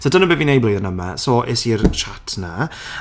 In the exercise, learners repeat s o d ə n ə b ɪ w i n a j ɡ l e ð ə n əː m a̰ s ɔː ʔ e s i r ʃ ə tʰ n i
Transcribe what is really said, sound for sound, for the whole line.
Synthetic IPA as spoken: s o d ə n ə b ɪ v i n e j b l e ð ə n ə m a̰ s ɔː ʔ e s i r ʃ a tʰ n a

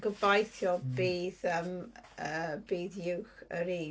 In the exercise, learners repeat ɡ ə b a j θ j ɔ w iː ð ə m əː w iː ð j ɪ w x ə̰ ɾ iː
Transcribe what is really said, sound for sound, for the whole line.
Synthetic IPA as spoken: ɡ ə b a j θ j ɔ b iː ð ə m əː b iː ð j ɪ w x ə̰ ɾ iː

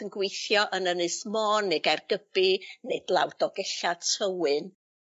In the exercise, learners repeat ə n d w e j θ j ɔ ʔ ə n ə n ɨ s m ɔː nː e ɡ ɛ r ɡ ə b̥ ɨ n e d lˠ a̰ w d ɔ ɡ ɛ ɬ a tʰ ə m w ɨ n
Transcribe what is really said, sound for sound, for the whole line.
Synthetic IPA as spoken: ə n ɡ w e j θ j ɔ ʔ ə n ə n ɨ s m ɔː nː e ɡ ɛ r ɡ ə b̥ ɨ n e d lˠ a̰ w d ɔ ɡ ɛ ɬ a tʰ ə w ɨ n

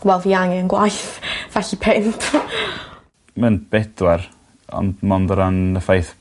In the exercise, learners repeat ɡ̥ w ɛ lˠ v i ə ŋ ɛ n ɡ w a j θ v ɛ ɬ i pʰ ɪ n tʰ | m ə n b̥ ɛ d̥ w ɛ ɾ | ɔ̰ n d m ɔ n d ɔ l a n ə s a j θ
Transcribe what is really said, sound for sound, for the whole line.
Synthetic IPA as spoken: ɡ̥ w ɛ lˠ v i a ŋ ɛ n ɡ w a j θ v ɛ ɬ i pʰ ɪ n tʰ | m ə n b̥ ɛ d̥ w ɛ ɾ | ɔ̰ n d m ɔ n d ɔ ɾ a n ə f a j θ

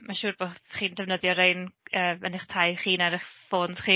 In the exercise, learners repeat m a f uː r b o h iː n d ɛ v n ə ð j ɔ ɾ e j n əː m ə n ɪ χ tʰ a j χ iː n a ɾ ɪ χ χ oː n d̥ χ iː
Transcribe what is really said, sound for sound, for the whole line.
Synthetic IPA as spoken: m a ʃ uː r b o χ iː n d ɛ v n ə ð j ɔ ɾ e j n əː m ə n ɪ χ tʰ a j χ iː n a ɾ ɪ χ f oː n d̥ χ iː

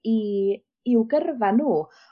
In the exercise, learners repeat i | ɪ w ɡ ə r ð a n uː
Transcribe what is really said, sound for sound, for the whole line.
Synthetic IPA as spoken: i | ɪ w ɡ ə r v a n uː

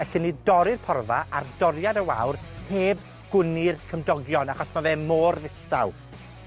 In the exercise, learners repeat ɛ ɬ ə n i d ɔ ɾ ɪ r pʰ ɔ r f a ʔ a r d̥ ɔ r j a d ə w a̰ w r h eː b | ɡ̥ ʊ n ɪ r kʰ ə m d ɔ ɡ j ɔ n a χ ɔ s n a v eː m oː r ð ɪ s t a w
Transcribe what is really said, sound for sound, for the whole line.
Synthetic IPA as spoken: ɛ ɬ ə n i d ɔ ɾ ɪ r pʰ ɔ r v a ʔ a r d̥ ɔ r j a d ə w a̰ w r h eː b | ɡ̥ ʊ n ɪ r kʰ ə m d ɔ ɡ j ɔ n a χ ɔ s m a v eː m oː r ð ɪ s t a w

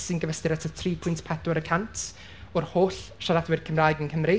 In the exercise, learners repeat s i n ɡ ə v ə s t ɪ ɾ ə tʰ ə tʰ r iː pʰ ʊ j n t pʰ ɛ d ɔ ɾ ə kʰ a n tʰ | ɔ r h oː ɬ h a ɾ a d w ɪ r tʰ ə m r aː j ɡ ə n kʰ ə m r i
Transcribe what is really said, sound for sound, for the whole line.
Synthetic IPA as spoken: s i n ɡ ə v ə s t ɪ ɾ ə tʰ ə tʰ r iː pʰ ʊ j n t pʰ ɛ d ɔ ɾ ə kʰ a n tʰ | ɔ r h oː ɬ ʃ a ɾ a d w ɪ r kʰ ə m r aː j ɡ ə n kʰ ə m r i

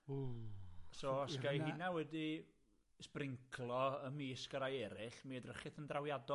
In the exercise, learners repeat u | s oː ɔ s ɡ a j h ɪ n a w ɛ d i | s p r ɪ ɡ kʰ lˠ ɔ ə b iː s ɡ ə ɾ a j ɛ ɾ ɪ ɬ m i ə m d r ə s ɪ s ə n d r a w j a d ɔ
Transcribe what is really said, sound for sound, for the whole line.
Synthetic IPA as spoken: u | s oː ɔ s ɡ a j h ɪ n a w ɛ d i | s p r ɪ ŋ kʰ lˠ ɔ ə m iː s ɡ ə ɾ a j ɛ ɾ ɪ ɬ m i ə d r ə χ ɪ θ ə n d r a w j a d ɔ

